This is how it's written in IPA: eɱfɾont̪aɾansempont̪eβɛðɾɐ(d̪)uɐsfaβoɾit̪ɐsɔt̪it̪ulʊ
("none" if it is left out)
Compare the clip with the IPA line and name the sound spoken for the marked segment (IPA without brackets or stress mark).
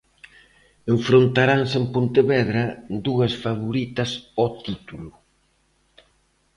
d̪